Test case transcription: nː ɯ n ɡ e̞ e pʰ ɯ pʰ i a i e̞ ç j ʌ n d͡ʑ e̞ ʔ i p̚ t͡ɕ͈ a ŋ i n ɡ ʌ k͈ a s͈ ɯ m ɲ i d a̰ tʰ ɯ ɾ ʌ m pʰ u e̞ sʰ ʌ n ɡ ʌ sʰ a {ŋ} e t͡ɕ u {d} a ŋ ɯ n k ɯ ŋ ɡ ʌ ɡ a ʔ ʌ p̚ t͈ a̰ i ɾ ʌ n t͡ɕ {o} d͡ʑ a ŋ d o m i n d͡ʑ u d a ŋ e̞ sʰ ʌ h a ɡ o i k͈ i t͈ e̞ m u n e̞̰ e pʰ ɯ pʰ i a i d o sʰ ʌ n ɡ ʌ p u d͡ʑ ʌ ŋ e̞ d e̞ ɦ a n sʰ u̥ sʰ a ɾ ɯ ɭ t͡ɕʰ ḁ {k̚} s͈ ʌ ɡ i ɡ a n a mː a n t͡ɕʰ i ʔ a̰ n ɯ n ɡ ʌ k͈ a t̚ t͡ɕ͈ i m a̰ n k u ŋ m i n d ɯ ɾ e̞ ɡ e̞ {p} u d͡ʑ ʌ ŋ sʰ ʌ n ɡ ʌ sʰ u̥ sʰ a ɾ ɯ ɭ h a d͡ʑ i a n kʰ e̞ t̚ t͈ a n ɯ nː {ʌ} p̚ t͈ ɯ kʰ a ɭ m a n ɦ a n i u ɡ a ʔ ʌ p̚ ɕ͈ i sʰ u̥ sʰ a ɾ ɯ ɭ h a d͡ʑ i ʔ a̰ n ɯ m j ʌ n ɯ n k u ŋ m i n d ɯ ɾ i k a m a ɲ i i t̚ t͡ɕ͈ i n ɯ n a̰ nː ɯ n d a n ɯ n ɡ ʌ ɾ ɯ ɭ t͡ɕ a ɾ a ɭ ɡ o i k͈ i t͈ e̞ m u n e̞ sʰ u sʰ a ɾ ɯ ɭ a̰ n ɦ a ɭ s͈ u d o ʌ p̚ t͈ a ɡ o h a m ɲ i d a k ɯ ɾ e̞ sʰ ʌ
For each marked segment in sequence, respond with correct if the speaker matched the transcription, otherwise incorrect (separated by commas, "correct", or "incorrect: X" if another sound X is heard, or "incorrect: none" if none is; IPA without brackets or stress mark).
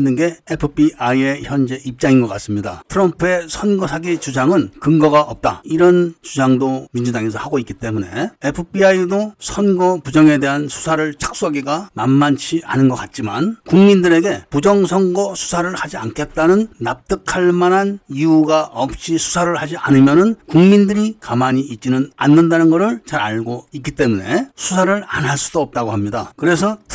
incorrect: ɡ, incorrect: d͡ʑ, incorrect: u, correct, correct, incorrect: a